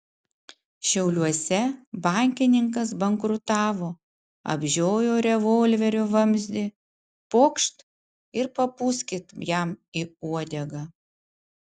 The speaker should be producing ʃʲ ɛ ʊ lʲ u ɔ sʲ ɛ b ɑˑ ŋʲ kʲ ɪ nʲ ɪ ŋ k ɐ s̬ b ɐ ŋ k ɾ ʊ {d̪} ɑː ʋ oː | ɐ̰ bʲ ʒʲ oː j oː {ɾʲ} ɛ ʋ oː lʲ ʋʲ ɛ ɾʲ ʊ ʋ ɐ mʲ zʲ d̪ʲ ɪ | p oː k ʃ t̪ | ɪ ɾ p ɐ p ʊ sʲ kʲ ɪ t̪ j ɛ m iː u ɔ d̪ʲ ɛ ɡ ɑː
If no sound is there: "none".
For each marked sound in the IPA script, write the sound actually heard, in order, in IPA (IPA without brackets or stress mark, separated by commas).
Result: t̪, ɾʲ